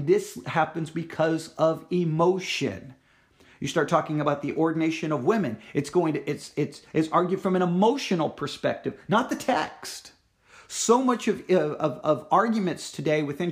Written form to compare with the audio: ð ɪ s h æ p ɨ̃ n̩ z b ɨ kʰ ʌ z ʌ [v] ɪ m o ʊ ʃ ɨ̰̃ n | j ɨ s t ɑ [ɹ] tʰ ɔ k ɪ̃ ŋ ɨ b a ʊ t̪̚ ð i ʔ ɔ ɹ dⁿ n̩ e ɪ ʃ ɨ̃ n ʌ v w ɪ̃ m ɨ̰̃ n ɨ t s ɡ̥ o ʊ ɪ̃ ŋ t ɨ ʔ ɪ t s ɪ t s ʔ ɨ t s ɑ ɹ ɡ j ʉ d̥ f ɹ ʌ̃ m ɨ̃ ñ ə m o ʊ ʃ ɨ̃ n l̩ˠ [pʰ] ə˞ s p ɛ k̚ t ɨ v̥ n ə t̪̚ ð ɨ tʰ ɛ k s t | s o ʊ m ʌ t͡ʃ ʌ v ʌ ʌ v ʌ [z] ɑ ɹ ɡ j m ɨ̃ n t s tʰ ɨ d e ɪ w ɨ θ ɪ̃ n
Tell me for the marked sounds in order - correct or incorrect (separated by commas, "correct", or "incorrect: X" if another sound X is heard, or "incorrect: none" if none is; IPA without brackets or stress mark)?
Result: correct, correct, correct, incorrect: v